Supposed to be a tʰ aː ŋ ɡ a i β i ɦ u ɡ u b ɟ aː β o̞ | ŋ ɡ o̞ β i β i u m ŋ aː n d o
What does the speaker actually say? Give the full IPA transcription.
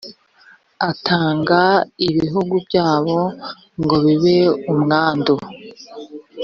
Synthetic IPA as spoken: a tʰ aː ŋ ɡ a i β i ɦ u ɡ u b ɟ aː β o̞ | ŋ ɡ o̞ β i β e u m ŋ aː n d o